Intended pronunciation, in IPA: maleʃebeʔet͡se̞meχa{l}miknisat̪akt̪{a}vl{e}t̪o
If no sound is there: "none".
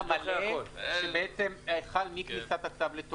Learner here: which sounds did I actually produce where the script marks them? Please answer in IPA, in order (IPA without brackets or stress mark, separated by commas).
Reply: l, a, e